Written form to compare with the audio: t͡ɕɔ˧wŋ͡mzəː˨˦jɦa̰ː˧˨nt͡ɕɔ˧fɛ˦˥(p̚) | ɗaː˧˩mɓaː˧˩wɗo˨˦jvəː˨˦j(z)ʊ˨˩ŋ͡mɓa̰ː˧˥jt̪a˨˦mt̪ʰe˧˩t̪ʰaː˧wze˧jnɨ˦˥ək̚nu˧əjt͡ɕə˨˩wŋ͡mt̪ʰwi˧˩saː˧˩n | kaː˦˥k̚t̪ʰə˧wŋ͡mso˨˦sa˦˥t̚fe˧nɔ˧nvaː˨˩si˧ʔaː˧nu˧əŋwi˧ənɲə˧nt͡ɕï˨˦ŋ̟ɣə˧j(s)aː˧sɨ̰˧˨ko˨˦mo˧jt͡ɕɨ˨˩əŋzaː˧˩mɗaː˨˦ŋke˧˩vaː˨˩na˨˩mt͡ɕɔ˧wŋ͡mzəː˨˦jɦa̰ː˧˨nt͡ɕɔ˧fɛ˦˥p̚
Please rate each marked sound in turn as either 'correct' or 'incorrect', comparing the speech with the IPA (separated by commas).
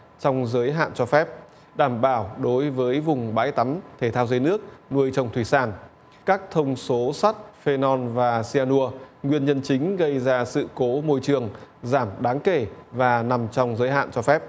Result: correct, incorrect, incorrect